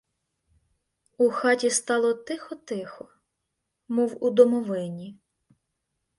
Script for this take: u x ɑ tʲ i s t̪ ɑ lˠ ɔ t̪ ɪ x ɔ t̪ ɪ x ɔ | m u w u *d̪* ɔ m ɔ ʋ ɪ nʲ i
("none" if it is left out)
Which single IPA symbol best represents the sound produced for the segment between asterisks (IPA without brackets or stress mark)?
d̪